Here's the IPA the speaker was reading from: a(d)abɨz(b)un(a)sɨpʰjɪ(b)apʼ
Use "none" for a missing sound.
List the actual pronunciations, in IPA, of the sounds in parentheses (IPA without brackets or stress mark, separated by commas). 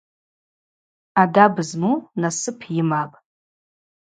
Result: d, m, a, m